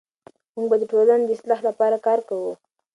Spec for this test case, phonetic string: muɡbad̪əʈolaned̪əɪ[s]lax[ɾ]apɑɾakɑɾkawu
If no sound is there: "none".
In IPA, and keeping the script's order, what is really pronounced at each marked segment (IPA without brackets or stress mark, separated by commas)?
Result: s, l